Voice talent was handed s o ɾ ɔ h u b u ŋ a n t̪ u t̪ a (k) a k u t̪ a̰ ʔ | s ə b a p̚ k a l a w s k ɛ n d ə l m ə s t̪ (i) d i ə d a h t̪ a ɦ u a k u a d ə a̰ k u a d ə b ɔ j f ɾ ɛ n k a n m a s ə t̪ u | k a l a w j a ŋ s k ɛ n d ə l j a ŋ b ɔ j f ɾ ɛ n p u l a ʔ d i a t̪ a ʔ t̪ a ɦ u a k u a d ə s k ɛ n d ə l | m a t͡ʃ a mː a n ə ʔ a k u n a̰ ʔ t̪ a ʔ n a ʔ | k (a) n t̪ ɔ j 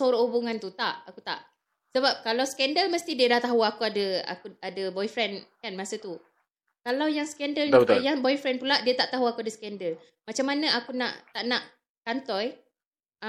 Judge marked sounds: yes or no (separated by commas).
no, yes, yes